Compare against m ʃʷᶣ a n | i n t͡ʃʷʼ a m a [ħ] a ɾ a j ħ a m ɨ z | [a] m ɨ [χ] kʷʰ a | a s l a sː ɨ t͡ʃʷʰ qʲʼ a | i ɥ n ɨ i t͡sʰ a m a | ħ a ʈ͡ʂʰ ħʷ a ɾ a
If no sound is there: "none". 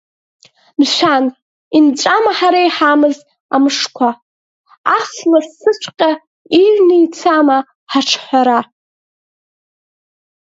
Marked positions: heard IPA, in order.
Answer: ħ, a, ʂ

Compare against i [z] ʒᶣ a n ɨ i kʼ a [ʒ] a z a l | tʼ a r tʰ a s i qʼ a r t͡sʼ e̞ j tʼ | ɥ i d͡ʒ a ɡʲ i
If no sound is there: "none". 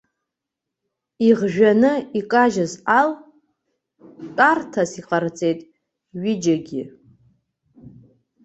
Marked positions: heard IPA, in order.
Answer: ʁ, ʒ

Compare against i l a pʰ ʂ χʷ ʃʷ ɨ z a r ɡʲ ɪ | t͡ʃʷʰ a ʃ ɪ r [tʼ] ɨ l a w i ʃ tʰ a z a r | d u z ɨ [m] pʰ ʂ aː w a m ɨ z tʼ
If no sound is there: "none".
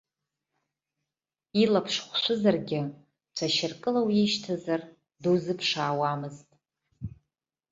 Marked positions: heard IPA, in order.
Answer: kʼ, none

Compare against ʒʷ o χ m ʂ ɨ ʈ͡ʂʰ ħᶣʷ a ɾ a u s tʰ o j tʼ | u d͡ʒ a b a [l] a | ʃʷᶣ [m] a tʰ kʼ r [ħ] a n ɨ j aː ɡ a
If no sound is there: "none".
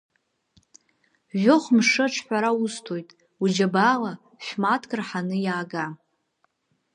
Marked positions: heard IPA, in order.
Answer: l, m, ħ

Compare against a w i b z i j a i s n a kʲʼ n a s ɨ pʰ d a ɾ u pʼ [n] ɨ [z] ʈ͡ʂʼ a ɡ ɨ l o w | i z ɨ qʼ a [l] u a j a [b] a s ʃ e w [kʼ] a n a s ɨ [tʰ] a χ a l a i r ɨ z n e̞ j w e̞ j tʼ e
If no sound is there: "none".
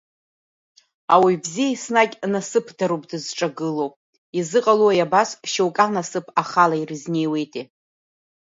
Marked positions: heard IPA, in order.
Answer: d, z, l, b, kʼ, pʰ

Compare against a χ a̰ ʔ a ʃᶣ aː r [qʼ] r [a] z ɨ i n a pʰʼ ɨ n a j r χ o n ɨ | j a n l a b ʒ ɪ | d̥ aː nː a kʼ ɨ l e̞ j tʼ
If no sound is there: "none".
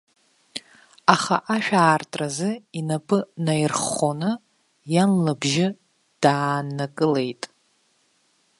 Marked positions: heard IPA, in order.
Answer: tʼ, a

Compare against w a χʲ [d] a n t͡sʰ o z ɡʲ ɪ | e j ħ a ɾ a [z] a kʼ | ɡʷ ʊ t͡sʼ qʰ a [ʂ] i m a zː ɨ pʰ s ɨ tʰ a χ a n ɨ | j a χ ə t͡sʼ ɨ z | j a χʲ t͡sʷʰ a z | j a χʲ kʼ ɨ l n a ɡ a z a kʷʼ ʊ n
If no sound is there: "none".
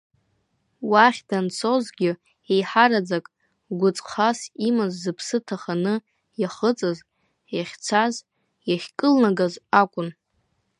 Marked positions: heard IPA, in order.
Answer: d, d͡z, s

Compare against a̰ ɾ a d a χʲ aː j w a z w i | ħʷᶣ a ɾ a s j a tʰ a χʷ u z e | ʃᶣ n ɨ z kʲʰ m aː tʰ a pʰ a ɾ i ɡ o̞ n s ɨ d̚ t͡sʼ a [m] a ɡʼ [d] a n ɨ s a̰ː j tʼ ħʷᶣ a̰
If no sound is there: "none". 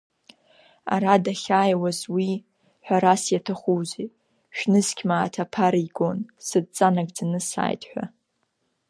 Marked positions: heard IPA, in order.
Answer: n, d͡z

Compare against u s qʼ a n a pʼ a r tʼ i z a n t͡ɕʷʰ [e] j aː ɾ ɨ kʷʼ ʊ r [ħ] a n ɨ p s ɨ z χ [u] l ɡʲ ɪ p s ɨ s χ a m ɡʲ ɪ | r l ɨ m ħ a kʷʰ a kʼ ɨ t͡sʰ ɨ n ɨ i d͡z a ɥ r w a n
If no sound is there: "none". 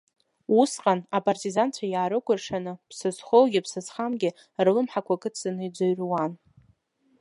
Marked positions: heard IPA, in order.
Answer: a, ʂ, o

